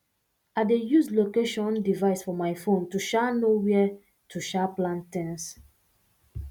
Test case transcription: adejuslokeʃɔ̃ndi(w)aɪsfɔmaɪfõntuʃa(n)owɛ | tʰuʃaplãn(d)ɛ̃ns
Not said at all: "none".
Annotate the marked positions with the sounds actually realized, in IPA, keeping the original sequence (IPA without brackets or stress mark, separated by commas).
v, n, t